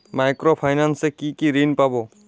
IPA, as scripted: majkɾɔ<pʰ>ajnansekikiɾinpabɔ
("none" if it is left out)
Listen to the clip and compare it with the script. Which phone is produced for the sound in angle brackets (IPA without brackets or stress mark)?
pʰ